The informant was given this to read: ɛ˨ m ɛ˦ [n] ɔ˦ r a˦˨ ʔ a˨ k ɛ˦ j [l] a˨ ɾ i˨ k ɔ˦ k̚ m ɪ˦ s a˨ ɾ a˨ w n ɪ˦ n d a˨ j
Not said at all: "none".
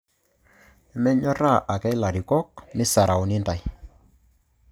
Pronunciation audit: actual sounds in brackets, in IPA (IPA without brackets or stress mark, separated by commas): ɲ, l